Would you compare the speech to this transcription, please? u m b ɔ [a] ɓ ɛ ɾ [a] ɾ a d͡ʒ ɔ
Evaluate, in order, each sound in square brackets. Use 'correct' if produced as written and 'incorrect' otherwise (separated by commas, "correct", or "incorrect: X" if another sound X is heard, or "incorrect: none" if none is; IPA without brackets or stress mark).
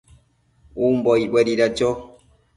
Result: incorrect: i, incorrect: i